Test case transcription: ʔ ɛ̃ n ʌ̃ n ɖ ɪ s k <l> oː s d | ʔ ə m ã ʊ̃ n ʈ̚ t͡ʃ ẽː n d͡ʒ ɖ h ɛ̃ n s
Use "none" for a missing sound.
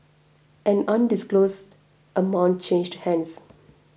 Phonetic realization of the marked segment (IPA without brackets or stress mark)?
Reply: l